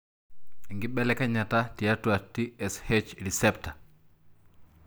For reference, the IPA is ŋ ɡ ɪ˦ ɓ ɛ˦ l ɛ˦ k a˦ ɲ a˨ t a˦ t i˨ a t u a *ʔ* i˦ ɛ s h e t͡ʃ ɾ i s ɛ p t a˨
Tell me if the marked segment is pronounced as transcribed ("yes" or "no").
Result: no